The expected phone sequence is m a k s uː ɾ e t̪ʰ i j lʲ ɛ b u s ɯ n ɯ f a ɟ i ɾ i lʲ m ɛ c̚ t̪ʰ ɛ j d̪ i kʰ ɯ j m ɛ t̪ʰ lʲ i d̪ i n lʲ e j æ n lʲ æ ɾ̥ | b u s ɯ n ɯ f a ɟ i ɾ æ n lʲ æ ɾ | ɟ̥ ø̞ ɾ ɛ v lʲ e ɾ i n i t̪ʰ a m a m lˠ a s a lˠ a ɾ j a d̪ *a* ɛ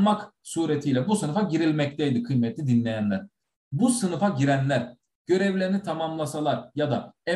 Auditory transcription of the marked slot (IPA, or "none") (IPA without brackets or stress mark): a